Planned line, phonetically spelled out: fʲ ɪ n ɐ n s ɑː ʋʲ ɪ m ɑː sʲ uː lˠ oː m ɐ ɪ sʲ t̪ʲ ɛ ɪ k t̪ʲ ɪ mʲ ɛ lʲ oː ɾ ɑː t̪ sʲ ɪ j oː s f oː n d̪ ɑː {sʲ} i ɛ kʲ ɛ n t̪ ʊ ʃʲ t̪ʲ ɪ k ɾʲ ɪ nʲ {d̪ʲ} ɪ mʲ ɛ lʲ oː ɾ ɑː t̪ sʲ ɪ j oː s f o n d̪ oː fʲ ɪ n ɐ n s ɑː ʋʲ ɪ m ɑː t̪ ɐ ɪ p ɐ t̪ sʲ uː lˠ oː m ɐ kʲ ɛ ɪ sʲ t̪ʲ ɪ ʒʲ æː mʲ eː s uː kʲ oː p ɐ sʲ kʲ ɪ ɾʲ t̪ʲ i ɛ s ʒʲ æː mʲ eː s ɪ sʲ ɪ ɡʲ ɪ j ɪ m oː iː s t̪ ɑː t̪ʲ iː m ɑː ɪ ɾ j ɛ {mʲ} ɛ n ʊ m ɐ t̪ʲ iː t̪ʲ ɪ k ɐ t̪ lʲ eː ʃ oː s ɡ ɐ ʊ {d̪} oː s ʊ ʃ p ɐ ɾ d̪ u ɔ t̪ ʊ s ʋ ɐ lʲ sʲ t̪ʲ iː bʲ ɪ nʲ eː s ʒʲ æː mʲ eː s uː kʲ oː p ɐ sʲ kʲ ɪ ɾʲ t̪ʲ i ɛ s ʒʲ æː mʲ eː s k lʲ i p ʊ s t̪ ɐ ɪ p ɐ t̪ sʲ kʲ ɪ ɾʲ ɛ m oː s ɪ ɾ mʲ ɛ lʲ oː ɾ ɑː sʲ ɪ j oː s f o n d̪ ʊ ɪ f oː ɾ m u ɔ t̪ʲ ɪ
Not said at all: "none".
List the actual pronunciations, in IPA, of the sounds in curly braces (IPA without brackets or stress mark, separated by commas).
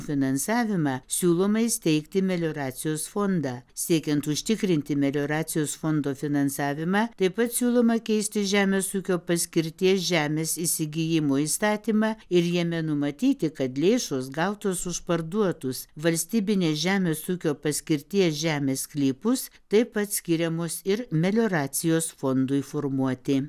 sʲ, t̪ʲ, mʲ, t̪